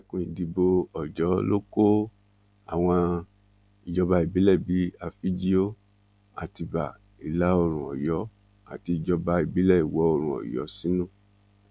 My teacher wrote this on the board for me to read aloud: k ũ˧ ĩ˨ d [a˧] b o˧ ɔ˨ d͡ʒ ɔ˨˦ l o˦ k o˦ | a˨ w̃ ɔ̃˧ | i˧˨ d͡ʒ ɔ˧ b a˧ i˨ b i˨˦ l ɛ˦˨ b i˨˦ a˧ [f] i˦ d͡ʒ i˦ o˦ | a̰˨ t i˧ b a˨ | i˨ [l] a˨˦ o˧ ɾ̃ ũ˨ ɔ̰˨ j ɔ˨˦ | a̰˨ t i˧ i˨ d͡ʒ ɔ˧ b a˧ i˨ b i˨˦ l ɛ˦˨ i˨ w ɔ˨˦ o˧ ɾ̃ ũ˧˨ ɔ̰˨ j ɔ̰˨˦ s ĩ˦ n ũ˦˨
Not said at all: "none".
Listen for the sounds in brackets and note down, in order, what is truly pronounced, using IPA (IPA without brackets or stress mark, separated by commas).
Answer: i˧, f, l